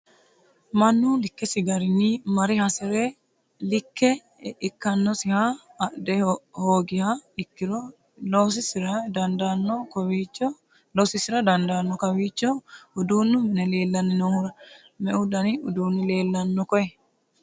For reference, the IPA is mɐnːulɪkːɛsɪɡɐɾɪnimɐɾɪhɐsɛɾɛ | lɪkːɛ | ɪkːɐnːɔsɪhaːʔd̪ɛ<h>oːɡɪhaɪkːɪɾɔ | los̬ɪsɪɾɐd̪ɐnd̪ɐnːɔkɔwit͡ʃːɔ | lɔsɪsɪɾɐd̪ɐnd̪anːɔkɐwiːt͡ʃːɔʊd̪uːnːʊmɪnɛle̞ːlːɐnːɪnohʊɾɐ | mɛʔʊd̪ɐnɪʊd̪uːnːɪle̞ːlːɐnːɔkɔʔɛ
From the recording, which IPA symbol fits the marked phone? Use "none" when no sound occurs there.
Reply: h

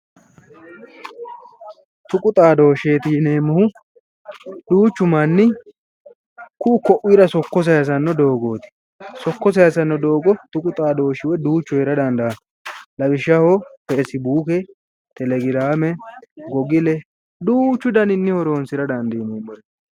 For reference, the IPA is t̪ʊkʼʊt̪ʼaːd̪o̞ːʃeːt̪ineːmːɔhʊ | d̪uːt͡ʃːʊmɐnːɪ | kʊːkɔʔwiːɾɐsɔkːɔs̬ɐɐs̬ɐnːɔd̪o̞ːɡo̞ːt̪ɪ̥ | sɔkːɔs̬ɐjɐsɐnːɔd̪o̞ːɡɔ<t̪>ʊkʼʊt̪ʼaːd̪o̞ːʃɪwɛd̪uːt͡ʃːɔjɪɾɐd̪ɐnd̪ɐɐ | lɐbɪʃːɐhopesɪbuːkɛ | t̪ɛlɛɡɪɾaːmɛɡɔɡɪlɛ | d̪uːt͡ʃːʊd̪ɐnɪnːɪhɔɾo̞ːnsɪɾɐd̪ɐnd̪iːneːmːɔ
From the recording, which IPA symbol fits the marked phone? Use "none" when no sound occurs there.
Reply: t̪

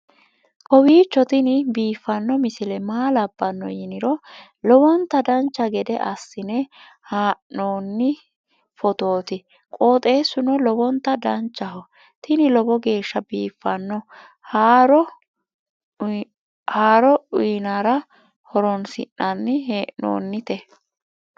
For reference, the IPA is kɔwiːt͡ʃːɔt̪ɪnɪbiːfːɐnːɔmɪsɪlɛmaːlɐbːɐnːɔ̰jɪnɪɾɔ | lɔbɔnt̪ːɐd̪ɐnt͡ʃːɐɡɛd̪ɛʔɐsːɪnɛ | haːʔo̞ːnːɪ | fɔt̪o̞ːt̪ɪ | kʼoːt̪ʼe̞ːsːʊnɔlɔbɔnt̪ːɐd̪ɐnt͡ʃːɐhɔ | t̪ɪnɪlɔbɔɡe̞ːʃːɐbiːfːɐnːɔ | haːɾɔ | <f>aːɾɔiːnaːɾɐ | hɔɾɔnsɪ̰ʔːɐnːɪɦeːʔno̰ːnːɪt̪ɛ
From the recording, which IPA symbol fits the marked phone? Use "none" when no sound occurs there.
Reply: h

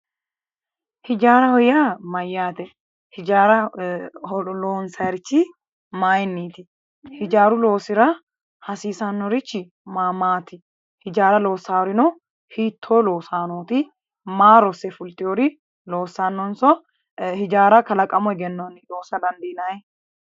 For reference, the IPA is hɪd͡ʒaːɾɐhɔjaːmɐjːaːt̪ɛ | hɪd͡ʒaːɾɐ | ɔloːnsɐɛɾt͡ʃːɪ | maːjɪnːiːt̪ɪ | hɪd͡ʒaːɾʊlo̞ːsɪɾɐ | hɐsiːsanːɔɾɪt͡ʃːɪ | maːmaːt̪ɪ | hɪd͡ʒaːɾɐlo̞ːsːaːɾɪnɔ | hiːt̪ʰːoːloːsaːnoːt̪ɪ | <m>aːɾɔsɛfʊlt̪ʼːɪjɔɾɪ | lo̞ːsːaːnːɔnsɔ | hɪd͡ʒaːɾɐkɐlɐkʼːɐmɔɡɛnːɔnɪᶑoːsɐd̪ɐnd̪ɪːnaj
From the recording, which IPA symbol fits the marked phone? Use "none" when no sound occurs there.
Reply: m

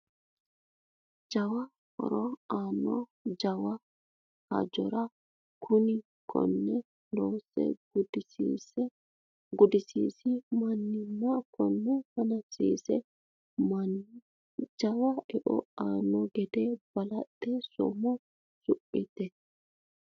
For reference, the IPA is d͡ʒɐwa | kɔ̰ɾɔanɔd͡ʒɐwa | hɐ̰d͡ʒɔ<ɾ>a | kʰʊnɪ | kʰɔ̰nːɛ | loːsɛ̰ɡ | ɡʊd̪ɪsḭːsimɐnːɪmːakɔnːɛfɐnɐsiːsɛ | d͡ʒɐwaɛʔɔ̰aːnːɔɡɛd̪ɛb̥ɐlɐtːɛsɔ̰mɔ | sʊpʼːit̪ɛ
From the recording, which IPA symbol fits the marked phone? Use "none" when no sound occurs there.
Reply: ɾ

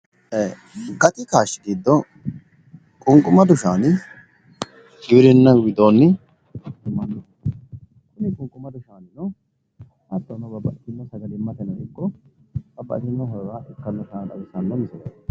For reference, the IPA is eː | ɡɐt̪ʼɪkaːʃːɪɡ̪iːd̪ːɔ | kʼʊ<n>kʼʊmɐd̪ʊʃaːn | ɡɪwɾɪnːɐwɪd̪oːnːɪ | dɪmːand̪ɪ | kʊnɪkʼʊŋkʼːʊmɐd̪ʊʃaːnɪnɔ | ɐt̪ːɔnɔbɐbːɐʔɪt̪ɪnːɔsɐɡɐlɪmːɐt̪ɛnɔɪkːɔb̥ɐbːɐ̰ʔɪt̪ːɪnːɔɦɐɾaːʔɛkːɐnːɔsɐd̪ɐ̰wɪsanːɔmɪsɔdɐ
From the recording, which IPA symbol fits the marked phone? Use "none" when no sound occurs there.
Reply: ŋ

